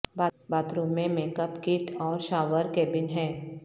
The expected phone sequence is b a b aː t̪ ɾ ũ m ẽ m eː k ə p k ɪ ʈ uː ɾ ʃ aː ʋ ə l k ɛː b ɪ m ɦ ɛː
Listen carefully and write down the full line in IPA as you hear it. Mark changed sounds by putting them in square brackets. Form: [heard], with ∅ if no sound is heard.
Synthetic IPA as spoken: b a b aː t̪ ɾ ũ m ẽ m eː k ə p k ɪ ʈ [ɔː] ɾ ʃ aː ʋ ə [ɾ] k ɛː b ɪ [n] ɦ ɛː